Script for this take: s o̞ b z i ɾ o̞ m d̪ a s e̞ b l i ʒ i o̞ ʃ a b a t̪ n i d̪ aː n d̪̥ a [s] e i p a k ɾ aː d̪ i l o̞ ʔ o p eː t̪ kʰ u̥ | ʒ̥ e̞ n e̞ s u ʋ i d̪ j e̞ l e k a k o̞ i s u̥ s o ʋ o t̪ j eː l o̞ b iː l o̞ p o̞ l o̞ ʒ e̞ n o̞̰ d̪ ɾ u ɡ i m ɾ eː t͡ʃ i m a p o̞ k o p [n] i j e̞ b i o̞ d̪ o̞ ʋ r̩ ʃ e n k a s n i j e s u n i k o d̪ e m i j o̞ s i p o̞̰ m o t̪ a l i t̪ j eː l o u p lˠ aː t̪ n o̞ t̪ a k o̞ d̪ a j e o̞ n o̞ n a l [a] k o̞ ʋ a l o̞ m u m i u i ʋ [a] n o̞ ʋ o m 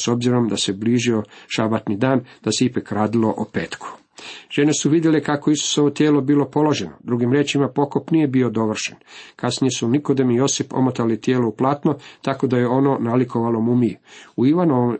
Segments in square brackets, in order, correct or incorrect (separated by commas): correct, correct, incorrect, correct